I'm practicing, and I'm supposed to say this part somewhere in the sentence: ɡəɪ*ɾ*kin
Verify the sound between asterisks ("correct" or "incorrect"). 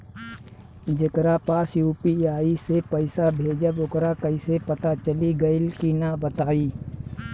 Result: incorrect